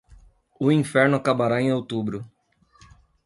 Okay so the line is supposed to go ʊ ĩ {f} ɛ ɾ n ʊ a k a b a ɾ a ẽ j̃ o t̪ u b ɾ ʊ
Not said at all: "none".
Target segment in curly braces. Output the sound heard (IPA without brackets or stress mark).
f